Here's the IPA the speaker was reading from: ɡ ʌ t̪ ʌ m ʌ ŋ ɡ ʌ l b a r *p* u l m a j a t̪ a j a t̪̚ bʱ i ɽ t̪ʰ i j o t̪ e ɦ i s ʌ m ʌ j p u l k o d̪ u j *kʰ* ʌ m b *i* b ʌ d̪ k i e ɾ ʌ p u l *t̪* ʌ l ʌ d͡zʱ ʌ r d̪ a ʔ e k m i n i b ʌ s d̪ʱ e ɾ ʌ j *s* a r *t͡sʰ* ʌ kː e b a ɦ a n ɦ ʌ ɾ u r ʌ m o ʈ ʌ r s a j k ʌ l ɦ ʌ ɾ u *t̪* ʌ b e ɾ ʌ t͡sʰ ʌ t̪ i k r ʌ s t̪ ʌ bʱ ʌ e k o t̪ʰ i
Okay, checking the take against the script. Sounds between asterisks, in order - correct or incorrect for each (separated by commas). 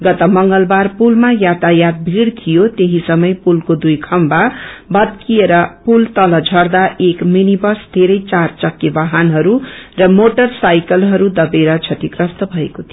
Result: correct, correct, incorrect, correct, incorrect, incorrect, incorrect